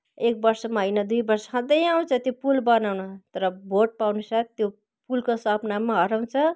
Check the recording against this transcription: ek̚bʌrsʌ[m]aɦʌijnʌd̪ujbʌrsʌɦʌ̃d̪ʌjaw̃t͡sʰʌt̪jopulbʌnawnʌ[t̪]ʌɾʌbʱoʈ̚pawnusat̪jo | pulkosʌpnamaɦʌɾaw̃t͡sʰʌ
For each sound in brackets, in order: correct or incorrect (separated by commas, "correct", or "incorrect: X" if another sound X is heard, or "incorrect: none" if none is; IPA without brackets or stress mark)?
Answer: correct, correct